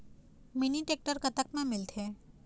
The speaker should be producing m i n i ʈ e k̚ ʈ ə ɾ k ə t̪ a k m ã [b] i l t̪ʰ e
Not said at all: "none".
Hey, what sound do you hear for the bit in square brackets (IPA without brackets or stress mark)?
m